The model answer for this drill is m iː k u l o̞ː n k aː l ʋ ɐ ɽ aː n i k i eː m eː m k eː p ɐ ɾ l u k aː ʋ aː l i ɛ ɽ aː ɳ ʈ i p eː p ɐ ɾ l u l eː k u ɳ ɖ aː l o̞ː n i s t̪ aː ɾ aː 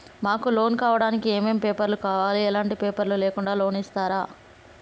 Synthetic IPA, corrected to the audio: m aː k u l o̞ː n k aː ʋ ɐ ɽ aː n i k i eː m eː m p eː p ɐ ɾ l u k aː ʋ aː l i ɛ l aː ɳ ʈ i p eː p ɐ ɾ l u l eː k u ɳ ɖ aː l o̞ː n i s t̪ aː ɾ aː

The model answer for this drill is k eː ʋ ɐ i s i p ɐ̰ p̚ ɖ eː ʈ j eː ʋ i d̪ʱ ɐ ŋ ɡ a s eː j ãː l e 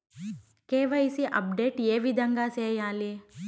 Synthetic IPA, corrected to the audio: k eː ʋ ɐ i s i ʔ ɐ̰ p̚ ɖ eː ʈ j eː ʋ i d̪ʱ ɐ ŋ ɡ a s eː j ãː l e

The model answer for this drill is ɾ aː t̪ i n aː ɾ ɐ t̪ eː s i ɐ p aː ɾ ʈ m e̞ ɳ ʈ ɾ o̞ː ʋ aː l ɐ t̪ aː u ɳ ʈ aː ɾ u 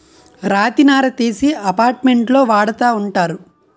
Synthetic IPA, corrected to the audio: ɾ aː t̪ i n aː ɾ ɐ t̪ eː s i ɐ p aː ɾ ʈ m e̞ ɳ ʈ l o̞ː ʋ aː ɽ ɐ t̪ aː u ɳ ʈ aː ɾ u

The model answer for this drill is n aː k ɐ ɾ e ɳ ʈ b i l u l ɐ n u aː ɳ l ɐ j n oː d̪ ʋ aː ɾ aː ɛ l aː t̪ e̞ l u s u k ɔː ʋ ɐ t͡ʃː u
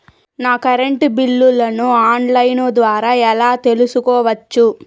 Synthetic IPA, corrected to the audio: n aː k ɐ ɾ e ɳ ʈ b i lː u l ɐ n u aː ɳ l ɐ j n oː d̪ ʋ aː ɾ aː ɛ l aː t̪ e̞ l u s u k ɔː ʋ ɐ t͡ʃː u

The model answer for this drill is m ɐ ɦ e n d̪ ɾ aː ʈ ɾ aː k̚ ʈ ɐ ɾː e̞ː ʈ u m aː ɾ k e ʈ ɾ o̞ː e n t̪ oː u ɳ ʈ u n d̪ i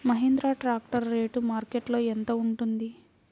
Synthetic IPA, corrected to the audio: m ɐ ɦ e n d̪ ɾ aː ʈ ɾ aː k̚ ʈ ɐ ɾː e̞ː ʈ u m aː ɾ k e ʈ l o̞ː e n t̪ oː u ɳ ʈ u n d̪ i

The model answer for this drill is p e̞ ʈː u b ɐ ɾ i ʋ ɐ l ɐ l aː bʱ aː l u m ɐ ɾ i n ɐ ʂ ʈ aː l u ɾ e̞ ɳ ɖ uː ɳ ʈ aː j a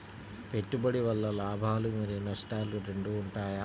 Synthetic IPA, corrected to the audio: p e̞ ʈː u b ɐ ɽ i ʋ ɐ lː ɐ l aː bʱ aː l u m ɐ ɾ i n ɐ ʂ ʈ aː l u ɾ e̞ ɳ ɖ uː ɳ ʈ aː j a

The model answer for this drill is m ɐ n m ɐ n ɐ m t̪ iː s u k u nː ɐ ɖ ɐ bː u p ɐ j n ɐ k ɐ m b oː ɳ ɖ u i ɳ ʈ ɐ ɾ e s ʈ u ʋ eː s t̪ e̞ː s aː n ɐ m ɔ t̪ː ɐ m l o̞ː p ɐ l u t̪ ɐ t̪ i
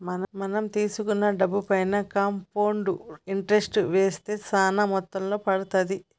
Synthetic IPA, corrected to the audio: m ɐ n m ɐ n ɐ m t̪ iː s u k u nː ɐ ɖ ɐ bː u p ɐ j n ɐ k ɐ m p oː ɳ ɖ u i ɳ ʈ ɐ ɾ e s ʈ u ʋ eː s t̪ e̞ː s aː n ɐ m ɔ t̪ː ɐ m l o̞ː p ɐ ɽ u t̪ ɐ d̪ i

